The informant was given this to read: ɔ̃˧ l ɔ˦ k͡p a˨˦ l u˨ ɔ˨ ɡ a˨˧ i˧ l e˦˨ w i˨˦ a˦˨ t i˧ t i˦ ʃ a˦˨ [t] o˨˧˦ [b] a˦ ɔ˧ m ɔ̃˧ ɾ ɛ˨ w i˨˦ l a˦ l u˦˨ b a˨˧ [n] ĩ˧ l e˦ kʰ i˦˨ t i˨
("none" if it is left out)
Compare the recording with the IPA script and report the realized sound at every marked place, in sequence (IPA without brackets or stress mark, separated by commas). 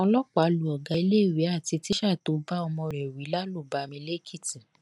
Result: t, b, m